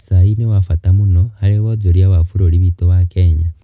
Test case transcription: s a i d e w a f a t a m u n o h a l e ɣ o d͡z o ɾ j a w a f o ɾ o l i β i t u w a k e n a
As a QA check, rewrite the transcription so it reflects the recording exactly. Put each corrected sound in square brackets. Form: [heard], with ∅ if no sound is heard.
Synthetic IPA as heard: s a i [n] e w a f a t a m u n o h a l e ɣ o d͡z o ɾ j a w a f [u] ɾ o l i β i t [o] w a k e [ɲ] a